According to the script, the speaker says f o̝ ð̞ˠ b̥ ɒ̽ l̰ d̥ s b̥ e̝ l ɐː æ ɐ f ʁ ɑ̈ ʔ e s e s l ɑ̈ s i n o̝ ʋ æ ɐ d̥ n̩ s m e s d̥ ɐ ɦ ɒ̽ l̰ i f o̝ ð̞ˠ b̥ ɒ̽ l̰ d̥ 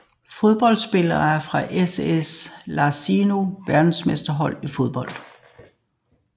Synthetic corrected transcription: f o̝ ð̞ˠ b̥ ɒ̽ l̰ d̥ s b̥ e̝ l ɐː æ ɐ f ʁ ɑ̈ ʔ e s e s l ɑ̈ s i n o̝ ʋ æ ɐ d̥ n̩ s m e s d̥ ɐ ɦ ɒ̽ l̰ i f o̝ ð̞ˠ b̥ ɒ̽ l̰ d̥